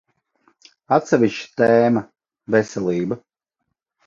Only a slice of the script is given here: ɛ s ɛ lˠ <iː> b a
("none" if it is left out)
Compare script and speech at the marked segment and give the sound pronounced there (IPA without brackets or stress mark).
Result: iː